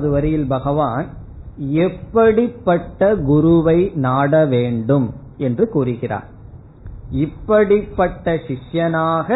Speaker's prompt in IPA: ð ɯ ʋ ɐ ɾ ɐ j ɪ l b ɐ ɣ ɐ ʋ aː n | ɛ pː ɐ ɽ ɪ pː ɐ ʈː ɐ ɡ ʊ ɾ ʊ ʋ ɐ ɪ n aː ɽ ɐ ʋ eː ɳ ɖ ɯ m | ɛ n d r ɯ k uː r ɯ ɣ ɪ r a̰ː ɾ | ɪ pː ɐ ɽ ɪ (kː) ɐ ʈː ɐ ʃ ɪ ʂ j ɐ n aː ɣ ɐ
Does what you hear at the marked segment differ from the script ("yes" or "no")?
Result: yes